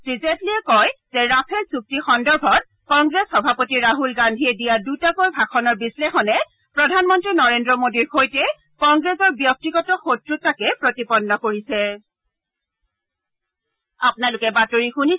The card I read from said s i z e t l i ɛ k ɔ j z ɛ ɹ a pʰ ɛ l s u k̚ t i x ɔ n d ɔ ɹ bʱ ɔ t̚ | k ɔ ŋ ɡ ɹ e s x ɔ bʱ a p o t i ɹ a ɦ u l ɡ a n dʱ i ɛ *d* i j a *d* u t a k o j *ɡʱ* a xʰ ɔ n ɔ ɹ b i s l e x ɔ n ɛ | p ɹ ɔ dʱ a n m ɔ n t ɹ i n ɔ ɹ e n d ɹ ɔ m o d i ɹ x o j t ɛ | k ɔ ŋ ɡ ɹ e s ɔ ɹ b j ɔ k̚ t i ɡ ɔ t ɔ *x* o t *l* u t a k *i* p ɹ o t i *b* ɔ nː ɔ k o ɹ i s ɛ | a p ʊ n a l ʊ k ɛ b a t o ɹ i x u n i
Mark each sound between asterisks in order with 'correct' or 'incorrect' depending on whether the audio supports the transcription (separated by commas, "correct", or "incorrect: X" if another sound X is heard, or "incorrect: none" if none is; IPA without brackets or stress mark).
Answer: correct, correct, incorrect: bʱ, correct, incorrect: ɹ, incorrect: ɛ, incorrect: p